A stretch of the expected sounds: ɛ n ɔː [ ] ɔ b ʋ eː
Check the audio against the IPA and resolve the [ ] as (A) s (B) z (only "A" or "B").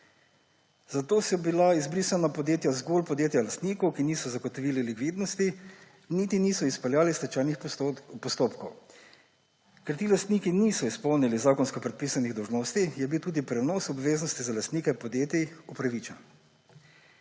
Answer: A